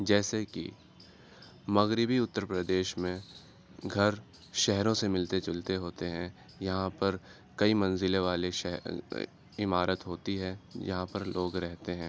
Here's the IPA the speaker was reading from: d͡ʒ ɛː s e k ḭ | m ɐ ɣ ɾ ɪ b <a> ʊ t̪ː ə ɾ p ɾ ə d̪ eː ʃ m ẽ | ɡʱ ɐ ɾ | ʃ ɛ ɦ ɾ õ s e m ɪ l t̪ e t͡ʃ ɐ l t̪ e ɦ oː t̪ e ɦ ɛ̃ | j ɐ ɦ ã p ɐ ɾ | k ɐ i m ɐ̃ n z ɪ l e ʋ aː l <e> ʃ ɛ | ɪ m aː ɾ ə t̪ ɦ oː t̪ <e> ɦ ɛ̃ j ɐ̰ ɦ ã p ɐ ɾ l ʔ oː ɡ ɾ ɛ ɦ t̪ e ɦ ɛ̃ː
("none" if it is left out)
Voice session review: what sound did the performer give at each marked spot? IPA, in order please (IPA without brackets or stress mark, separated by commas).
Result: i, e, i